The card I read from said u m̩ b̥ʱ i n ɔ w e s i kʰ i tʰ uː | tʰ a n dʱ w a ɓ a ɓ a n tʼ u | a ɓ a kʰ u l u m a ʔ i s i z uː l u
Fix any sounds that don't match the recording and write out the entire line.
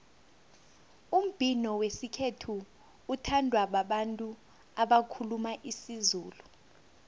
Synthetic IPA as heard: u m̩ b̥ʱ i n ɔ w e s i kʰ e tʰ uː | tʰ a n dʱ w a ɓ a ɓ a n tʼ u | a ɓ a kʰ u l u m a ʔ i s i z uː l u